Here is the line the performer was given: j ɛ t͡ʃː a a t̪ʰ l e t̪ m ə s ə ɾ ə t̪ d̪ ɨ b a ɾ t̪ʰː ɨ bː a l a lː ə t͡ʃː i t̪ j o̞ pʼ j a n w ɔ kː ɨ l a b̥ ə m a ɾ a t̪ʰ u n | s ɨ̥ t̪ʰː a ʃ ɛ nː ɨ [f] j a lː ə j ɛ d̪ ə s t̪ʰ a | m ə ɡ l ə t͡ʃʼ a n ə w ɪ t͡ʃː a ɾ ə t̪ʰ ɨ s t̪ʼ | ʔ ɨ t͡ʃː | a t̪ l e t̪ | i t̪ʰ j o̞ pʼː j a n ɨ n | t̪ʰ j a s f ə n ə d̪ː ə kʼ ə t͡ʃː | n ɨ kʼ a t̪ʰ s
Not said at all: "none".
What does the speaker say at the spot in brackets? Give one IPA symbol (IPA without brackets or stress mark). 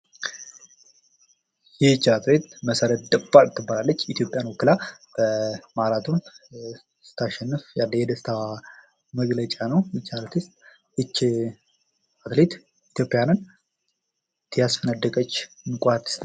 f